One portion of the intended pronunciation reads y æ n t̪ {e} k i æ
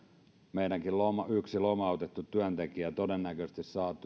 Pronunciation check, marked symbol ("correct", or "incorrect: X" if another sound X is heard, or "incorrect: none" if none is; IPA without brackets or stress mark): correct